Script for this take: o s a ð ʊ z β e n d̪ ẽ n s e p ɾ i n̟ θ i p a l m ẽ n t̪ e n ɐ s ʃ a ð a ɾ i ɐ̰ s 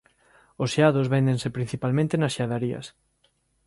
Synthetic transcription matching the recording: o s a ð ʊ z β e n d̪ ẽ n s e p ɾ i n̟ θ i p a l m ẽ n t̪ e n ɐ s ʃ a ð a ɾ i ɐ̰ s